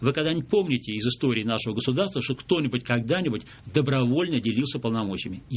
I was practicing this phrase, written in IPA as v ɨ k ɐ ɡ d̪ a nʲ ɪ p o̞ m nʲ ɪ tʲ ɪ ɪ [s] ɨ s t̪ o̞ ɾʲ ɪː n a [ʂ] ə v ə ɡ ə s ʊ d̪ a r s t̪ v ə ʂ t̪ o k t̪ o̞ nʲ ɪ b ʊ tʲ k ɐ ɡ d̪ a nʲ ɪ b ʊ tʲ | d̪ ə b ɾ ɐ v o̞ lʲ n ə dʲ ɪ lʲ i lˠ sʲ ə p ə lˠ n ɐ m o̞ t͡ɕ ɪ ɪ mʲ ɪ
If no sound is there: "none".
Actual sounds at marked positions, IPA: z, ʂ

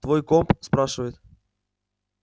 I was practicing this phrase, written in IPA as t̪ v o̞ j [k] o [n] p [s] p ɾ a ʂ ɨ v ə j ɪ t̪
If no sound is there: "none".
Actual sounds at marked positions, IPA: k, m, s

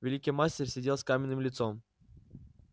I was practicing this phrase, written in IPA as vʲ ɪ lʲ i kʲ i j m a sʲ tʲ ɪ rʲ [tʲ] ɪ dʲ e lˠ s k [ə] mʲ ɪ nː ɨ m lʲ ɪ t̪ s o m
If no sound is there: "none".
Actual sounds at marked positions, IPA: sʲ, a

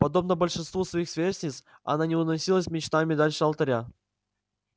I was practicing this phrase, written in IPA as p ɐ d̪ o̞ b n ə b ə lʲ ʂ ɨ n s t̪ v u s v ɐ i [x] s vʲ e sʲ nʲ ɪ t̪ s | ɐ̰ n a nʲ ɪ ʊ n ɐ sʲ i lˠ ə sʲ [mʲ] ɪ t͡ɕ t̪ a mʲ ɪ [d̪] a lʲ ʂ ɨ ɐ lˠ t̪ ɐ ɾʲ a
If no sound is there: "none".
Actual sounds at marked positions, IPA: x, mʲ, d̪

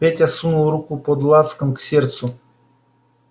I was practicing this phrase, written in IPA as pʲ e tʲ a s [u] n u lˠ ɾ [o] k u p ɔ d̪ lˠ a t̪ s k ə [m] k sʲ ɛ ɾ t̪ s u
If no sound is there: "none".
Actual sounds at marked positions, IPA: u, u, m

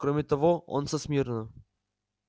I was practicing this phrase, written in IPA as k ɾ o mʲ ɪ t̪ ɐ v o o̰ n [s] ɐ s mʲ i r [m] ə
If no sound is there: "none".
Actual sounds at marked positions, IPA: s, n

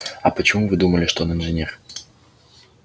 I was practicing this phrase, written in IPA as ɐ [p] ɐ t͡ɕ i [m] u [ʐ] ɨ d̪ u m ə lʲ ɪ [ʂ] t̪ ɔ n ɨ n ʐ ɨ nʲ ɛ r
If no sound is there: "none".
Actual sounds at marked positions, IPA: p, m, v, ʂ

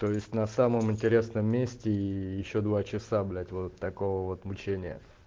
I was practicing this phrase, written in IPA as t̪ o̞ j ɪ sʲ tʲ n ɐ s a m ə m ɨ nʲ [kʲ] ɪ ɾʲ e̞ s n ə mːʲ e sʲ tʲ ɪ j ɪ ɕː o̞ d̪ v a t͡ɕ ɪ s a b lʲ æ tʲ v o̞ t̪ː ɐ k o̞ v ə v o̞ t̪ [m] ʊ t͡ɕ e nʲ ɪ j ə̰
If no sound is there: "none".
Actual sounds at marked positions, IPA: tʲ, m

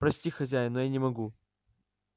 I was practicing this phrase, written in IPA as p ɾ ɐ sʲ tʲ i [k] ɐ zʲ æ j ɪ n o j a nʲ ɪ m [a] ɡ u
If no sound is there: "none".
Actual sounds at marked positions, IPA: x, ɐ

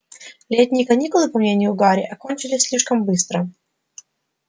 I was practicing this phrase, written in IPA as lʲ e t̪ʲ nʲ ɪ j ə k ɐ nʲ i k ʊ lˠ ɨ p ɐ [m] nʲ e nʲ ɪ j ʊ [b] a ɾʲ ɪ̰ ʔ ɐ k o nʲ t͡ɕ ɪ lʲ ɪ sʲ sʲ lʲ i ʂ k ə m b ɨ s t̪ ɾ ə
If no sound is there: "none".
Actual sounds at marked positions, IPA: m, ɡ

